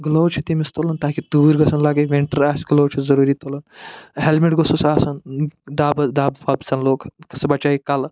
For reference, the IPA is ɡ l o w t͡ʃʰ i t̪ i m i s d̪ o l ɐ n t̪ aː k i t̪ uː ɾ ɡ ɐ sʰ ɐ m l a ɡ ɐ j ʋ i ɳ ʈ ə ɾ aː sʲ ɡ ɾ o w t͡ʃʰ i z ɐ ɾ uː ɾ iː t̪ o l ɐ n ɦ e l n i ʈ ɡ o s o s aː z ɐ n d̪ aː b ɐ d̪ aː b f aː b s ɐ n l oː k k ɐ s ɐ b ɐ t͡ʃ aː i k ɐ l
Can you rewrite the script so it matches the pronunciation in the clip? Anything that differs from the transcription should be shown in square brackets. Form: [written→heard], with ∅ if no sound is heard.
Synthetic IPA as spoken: ɡ l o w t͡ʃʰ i t̪ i m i s [d̪→t̪] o l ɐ n t̪ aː k i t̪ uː ɾ ɡ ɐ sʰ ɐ [m→n] l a ɡ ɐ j ʋ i ɳ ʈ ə ɾ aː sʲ ɡ [ɾ→l] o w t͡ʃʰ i z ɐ ɾ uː ɾ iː t̪ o l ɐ n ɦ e l [n→m] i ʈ ɡ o s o s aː [z→s] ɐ n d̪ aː b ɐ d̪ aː b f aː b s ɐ n l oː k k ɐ s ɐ b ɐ t͡ʃ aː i k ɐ l